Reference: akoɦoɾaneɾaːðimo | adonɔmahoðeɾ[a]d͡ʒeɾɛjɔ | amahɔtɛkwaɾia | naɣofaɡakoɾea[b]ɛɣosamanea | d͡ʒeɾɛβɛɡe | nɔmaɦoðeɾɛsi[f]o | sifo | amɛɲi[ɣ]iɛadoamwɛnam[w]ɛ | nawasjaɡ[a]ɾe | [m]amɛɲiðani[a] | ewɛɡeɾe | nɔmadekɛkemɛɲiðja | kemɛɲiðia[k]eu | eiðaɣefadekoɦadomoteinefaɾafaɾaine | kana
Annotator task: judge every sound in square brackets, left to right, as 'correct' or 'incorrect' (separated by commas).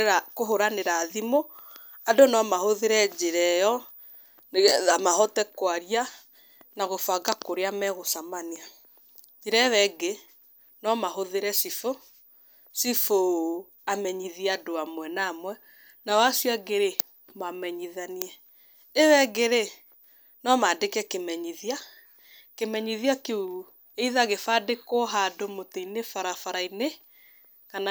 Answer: incorrect, incorrect, correct, incorrect, correct, incorrect, correct, incorrect, correct